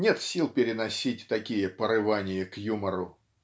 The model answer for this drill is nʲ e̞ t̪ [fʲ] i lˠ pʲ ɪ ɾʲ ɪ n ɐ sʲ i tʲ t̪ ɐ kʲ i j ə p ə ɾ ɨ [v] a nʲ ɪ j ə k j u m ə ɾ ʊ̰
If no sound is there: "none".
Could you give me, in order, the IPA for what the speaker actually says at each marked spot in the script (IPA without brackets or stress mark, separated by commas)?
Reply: sʲ, v